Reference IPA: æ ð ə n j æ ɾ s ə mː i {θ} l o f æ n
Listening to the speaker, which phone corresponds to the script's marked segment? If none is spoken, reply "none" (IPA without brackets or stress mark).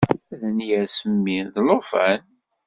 ð